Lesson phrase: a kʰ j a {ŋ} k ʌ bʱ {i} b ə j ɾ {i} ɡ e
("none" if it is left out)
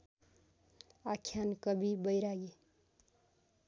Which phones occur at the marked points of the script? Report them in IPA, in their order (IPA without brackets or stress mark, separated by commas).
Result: n, i, a